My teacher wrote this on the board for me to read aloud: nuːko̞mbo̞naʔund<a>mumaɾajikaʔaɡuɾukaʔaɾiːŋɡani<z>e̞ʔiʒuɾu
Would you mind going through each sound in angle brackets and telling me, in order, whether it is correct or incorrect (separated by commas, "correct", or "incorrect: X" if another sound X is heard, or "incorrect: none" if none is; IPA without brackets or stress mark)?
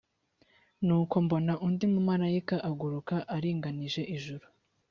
incorrect: i, incorrect: ʒ